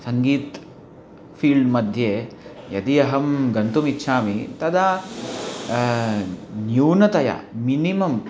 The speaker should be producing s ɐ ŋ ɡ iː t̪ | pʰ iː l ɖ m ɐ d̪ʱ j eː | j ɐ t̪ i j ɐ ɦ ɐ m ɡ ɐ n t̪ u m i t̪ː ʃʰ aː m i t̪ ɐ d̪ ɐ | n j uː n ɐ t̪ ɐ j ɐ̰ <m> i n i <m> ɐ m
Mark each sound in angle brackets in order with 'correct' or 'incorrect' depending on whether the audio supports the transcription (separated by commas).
correct, correct